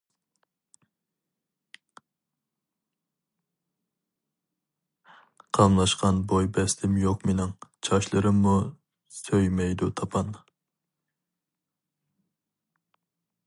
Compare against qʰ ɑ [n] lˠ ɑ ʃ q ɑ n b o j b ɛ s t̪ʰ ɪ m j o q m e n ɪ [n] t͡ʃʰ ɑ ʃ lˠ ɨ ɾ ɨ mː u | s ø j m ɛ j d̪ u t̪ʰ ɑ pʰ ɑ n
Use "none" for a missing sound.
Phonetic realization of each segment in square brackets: m, ŋ

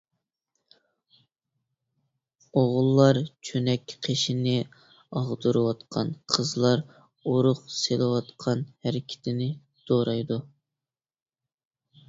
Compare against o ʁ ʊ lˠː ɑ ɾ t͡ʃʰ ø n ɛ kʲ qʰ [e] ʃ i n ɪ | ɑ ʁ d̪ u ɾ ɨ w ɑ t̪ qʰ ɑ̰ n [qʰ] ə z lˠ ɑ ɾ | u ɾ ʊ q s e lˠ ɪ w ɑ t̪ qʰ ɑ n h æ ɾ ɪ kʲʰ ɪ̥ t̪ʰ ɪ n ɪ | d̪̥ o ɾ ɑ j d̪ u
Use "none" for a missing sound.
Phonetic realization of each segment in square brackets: e, qʰ

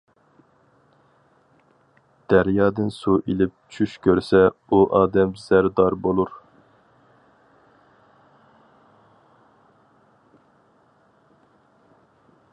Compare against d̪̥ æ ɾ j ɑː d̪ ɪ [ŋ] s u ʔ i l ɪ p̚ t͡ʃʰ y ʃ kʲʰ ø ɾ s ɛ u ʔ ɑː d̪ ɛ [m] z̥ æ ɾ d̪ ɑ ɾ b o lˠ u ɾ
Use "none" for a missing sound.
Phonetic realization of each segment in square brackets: n, m

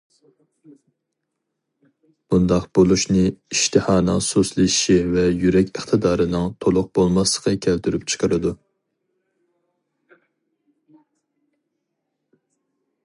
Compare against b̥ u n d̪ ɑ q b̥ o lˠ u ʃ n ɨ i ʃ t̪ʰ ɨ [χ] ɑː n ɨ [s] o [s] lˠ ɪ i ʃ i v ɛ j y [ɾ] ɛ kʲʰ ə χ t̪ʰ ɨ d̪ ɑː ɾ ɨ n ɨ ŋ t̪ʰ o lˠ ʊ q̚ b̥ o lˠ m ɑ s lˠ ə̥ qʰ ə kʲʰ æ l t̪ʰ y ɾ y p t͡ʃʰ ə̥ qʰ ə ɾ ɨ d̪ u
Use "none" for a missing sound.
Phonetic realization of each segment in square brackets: h, s, s, ɾ

